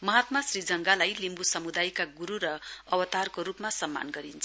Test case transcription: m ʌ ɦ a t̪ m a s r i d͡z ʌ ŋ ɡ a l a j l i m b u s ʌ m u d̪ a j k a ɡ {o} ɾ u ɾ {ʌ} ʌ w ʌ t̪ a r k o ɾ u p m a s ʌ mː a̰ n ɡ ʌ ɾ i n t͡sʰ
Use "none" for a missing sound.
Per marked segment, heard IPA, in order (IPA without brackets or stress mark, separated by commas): u, ʌ